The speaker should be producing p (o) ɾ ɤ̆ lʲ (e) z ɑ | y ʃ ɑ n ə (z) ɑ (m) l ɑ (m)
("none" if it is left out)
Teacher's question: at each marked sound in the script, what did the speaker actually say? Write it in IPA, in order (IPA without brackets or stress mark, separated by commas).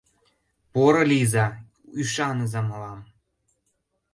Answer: o, i, z, m, m